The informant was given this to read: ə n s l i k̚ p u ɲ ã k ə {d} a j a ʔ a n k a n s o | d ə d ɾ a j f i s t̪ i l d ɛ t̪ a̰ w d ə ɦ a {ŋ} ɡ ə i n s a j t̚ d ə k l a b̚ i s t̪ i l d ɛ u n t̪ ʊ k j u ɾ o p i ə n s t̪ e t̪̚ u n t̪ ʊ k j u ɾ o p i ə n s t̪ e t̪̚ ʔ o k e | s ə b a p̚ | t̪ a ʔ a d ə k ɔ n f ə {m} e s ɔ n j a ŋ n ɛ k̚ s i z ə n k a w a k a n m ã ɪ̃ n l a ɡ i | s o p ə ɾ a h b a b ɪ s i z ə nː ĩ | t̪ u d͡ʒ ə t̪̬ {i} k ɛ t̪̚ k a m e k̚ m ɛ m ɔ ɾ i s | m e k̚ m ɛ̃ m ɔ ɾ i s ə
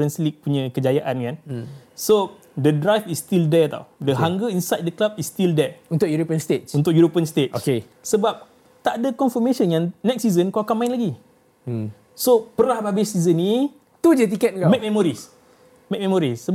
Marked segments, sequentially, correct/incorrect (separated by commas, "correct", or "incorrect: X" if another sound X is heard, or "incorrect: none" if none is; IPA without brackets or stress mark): incorrect: d͡ʒ, correct, correct, correct